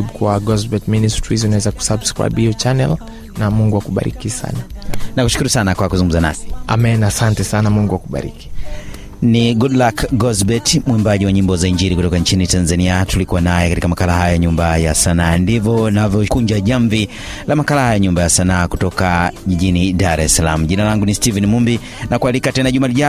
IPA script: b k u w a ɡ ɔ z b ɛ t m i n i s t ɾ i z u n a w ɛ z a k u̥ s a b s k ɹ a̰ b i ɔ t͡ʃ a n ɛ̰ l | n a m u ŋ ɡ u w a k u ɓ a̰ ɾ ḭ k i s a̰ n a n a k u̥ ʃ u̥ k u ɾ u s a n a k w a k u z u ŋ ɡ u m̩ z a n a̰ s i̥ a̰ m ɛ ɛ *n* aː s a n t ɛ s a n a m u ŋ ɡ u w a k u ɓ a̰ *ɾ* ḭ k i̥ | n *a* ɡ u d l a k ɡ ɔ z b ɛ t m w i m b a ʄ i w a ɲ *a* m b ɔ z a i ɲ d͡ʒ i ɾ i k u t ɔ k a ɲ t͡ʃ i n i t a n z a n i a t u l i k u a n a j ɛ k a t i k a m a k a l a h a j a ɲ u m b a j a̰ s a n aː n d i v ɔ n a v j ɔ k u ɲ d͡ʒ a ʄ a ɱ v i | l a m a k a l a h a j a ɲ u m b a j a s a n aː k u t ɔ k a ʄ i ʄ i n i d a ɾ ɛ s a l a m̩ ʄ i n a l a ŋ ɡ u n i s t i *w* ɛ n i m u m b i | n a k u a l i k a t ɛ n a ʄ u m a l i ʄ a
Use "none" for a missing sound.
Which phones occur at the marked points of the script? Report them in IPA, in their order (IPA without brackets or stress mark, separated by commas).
n, ɾ, i, i, v